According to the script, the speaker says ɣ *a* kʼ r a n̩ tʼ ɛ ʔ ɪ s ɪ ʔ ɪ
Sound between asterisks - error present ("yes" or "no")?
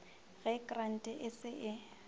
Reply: yes